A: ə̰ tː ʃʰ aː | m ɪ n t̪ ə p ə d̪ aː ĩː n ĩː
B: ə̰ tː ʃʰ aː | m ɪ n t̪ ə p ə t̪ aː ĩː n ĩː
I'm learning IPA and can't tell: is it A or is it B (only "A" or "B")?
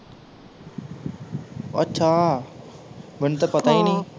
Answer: B